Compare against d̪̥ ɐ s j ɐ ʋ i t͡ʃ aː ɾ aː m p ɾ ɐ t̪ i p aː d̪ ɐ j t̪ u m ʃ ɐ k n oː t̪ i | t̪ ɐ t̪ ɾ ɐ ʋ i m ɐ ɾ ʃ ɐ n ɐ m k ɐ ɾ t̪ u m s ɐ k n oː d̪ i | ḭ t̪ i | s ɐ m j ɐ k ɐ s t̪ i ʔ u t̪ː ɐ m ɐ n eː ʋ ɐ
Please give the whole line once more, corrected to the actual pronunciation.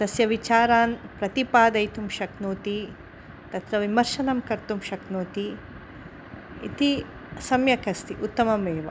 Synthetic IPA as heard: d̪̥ ɐ s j ɐ ʋ i t͡ʃ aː ɾ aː n p ɾ ɐ t̪ i p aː d̪ ɐ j t̪ u m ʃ ɐ k n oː t̪ i | t̪ ɐ t̪ ɾ ɐ ʋ i m ɐ ɾ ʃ ɐ n ɐ m k ɐ ɾ t̪ u m ʃ ɐ k n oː t̪ i | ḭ t̪ i | s ɐ m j ɐ k ɐ s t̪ i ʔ u t̪ː ɐ m ɐ m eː ʋ ɐ